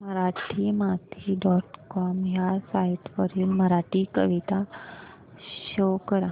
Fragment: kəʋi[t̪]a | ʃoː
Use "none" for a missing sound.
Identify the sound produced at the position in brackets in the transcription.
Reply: t̪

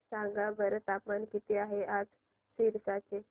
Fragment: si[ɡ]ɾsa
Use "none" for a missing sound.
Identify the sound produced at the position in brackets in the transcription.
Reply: none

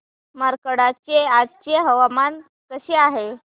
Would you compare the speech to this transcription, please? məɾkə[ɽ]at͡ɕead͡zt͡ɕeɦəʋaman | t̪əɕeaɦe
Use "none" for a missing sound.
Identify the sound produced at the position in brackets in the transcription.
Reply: ɽ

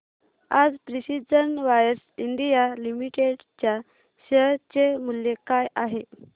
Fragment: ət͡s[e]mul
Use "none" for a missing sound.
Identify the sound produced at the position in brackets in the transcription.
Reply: e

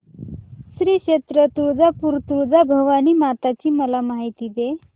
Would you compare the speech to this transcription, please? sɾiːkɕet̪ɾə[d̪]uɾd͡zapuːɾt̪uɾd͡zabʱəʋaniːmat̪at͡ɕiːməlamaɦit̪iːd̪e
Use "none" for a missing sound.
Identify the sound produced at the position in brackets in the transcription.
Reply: t̪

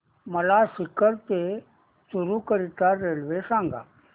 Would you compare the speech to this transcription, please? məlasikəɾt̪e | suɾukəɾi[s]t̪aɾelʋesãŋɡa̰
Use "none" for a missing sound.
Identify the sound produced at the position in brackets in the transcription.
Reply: none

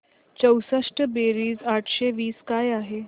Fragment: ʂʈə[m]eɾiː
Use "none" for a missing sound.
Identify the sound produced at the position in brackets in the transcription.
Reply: b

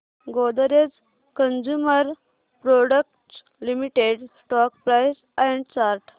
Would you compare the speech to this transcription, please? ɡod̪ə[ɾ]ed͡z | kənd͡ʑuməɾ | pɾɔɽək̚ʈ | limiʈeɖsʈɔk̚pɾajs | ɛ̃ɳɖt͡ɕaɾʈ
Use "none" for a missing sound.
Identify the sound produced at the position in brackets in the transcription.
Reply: ɾ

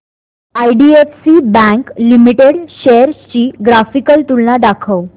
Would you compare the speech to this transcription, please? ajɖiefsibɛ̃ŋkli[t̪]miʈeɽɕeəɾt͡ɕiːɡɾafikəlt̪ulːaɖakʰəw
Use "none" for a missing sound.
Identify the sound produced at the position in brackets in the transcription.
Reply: none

